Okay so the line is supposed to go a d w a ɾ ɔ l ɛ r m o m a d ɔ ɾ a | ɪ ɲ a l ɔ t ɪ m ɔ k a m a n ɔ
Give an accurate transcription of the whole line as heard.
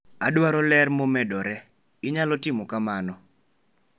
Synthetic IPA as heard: a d w a ɾ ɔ l ɛ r m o m ɛ d ɔ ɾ ɛ | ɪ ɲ a l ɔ t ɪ m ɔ k a m a n ɔ